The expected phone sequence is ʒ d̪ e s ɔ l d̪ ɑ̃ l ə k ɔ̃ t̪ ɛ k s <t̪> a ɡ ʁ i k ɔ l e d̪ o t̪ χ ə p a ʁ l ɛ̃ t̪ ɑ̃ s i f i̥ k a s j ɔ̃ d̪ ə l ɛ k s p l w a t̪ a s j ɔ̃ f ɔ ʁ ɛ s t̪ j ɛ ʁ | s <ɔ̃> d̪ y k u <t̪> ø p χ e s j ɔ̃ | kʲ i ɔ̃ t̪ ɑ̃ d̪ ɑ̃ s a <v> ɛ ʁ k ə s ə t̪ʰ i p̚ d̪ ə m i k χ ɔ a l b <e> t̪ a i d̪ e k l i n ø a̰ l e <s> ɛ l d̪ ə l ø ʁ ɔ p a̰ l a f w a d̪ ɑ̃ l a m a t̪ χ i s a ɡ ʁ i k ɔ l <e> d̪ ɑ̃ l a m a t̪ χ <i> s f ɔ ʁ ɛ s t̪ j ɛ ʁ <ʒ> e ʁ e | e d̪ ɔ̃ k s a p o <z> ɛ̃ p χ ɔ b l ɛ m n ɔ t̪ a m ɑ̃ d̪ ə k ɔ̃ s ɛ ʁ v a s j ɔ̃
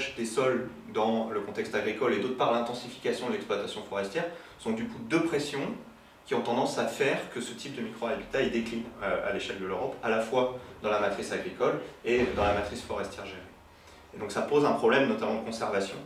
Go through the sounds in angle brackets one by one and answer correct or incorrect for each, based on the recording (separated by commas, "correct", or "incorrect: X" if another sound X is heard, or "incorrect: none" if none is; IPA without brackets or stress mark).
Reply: correct, correct, incorrect: d̪, incorrect: f, incorrect: i, incorrect: ʃ, correct, correct, correct, correct